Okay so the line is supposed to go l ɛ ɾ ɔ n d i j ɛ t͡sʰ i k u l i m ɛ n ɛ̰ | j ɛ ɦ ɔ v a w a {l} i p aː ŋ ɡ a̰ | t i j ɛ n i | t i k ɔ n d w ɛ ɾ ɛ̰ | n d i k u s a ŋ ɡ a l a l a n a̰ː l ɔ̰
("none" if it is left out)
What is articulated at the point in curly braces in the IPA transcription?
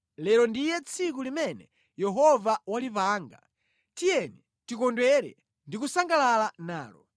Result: l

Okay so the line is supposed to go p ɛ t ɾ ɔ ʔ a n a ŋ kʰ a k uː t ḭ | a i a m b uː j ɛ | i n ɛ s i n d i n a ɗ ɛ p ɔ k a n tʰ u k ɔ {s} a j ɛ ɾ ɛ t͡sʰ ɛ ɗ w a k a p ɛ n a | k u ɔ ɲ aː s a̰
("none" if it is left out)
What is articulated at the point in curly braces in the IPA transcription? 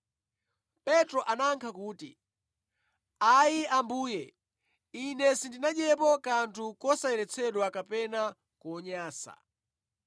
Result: s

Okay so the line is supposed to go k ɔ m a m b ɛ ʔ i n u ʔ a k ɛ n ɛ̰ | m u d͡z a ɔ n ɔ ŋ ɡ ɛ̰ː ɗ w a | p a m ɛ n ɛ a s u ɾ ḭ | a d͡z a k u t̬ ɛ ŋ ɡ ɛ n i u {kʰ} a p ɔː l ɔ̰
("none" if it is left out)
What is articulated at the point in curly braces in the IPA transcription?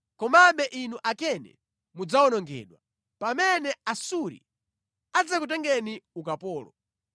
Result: k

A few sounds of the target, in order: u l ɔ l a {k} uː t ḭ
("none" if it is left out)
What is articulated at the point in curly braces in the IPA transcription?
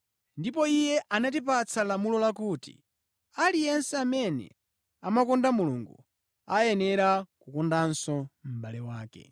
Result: k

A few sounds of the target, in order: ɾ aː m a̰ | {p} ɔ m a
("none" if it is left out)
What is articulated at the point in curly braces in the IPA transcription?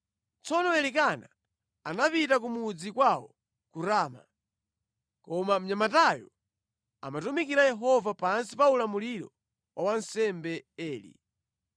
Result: k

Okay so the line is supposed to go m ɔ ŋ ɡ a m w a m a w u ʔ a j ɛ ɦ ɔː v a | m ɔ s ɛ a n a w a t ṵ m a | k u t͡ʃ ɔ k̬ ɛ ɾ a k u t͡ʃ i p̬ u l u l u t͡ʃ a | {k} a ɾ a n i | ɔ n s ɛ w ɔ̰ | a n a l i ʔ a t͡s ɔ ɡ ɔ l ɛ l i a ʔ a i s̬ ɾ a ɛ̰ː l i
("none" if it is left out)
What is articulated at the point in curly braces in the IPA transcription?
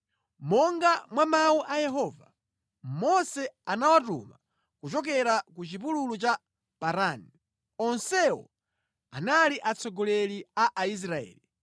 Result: p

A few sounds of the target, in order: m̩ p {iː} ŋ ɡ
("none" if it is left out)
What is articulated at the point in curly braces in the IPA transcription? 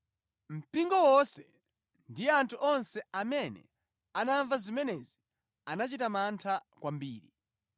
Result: i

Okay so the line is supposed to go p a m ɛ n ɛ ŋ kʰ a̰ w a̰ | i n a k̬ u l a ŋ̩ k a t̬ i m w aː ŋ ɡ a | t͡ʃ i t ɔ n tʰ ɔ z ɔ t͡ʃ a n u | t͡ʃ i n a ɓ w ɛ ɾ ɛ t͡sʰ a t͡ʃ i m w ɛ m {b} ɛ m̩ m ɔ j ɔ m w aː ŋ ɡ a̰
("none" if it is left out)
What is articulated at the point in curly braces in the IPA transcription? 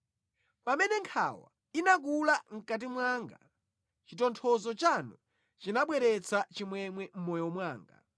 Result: w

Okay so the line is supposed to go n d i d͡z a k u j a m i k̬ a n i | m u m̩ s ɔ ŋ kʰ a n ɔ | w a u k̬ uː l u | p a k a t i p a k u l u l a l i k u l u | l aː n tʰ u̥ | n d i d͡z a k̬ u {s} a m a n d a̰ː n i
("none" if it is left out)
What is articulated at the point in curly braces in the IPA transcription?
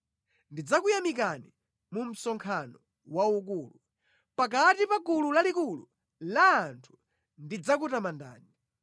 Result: t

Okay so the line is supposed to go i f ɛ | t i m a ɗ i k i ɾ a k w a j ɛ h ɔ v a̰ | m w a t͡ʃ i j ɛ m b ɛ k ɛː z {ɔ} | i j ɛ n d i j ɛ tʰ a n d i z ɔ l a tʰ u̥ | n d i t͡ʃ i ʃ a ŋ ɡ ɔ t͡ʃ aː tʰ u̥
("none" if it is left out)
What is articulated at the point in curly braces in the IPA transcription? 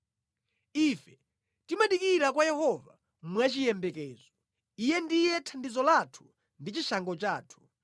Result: ɔ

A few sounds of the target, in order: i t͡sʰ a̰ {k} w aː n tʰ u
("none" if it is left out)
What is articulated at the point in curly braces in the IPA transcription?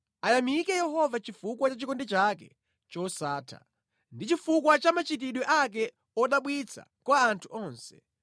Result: k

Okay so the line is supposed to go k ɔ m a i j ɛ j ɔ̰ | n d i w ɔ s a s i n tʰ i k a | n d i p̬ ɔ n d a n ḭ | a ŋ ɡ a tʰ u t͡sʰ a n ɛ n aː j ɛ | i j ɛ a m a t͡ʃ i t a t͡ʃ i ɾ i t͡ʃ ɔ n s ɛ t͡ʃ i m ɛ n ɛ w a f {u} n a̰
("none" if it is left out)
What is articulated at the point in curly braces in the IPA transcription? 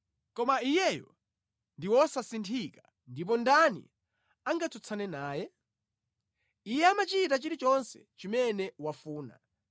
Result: uː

